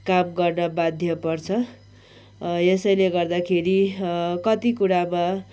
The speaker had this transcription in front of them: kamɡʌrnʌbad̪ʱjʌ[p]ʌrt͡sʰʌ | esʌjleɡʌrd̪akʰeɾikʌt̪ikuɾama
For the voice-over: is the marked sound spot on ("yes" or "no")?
yes